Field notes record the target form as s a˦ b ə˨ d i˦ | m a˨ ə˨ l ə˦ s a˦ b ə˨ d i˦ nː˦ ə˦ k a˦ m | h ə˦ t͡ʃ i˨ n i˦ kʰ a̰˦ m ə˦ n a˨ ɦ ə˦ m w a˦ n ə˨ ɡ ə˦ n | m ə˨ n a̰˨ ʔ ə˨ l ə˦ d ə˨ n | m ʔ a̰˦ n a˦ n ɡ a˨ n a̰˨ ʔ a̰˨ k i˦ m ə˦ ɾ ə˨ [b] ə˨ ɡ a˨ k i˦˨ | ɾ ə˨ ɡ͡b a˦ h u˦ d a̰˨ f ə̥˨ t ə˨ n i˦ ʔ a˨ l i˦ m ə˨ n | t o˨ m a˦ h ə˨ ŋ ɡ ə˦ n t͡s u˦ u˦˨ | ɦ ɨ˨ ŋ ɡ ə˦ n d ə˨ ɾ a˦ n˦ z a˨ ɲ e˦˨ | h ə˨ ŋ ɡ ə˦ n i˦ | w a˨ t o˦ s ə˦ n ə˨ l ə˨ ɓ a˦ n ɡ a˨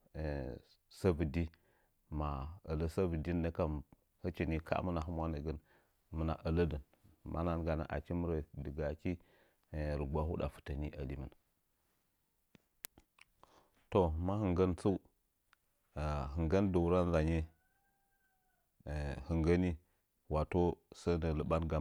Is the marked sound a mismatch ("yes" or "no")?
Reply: yes